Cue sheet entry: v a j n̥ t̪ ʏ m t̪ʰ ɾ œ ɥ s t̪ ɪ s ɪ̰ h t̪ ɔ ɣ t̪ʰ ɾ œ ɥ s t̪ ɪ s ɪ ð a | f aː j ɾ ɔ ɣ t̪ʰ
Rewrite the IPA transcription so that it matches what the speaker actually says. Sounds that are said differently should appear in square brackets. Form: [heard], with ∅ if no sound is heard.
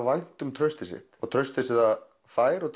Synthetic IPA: v a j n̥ t̪ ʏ m t̪ʰ ɾ œ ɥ s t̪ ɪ s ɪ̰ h t̪ ɔ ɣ t̪ʰ ɾ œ ɥ s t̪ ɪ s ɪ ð a | f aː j ɾ ɔ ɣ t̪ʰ